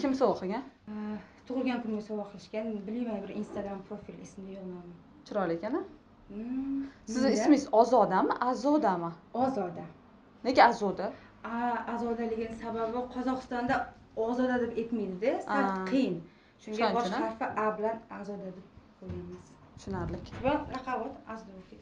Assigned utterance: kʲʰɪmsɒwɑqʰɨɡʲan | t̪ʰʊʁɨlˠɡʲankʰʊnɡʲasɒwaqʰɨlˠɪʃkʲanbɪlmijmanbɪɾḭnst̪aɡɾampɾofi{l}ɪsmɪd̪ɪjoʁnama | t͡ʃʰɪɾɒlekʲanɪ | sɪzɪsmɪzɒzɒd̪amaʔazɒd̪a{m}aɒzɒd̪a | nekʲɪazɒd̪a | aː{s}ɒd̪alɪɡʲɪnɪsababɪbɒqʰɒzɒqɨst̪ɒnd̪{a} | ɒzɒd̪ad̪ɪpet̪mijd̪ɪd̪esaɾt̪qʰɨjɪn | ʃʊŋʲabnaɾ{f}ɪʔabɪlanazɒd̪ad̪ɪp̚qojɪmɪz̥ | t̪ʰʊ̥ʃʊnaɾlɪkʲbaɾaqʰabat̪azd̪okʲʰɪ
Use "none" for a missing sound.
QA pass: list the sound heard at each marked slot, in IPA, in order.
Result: l, m, z, a, f

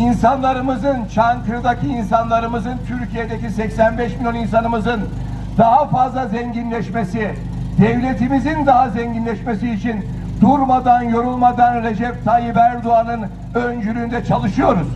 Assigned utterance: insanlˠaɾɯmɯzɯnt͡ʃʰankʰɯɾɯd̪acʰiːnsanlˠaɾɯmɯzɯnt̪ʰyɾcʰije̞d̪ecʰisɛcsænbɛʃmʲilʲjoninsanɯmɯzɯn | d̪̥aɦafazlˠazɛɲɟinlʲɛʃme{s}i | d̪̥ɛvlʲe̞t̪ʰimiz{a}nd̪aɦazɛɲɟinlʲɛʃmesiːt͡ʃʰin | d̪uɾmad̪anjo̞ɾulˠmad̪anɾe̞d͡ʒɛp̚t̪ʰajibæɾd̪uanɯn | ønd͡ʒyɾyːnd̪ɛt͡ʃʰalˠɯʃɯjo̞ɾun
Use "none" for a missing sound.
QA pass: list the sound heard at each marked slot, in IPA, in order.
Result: s, i

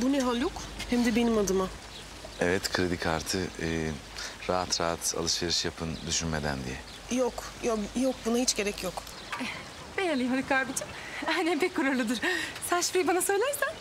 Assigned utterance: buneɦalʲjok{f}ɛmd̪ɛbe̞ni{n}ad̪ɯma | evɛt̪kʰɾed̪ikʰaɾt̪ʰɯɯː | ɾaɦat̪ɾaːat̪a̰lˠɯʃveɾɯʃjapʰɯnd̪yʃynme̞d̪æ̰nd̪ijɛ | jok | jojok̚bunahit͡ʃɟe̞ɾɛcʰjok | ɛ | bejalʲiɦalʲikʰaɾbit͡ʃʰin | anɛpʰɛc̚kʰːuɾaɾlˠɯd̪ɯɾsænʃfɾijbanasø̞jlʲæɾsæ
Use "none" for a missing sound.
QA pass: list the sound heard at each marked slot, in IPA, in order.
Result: h, m

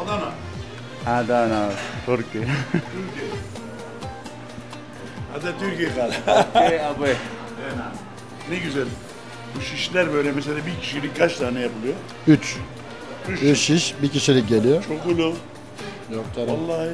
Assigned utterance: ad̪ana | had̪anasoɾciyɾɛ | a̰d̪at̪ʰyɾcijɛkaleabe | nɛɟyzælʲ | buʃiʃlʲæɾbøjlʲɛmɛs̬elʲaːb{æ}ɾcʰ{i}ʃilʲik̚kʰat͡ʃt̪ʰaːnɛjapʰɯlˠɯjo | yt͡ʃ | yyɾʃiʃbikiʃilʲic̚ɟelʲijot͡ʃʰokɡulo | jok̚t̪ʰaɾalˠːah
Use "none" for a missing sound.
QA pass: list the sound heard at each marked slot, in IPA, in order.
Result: i, i

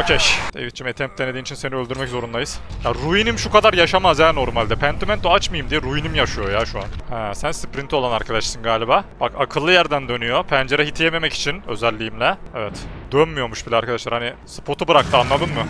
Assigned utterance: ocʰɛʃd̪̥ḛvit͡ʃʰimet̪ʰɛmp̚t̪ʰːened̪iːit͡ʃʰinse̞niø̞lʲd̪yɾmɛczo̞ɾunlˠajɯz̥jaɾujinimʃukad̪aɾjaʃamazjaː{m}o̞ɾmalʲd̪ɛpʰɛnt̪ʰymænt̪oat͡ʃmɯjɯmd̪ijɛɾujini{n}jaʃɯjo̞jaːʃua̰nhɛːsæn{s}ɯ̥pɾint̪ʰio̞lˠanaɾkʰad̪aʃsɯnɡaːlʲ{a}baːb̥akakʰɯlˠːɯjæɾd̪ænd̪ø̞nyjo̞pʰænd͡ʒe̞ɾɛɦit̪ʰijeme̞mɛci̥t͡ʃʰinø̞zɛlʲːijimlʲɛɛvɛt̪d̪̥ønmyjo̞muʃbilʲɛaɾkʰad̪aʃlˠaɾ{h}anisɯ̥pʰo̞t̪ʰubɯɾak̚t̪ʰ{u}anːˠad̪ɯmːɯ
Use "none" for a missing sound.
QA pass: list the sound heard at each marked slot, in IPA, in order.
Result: n, m, s, i, h, ɯ

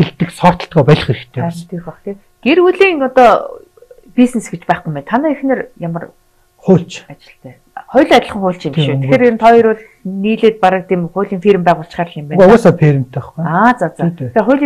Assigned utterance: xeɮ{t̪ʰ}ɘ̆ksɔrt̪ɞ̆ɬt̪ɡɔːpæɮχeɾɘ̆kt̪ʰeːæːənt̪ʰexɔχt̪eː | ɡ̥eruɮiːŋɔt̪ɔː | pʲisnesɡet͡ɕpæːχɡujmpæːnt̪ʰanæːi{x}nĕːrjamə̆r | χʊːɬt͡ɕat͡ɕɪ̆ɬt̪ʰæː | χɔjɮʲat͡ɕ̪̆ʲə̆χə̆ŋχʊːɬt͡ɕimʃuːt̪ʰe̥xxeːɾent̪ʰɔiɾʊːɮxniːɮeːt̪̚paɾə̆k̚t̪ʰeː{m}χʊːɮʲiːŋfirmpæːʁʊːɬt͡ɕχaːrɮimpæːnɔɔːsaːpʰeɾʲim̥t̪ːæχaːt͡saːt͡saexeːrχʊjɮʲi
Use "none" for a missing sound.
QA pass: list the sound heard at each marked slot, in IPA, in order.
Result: t̪, x, m

